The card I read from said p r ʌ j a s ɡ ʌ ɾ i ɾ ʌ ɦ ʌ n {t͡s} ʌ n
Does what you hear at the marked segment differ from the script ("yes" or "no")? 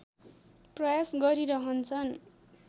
yes